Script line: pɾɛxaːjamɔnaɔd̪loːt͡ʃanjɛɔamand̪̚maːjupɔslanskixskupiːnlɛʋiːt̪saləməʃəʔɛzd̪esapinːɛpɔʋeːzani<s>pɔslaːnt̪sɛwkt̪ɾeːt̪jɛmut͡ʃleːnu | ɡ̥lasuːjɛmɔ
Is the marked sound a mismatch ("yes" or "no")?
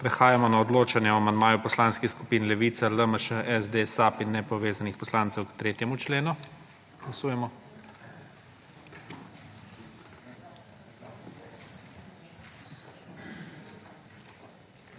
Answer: yes